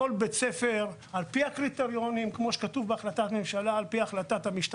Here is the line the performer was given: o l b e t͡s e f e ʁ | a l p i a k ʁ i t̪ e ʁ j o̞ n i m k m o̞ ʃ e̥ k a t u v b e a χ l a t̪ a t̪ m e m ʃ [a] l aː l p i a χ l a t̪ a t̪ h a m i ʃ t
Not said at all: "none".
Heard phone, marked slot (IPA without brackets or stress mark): a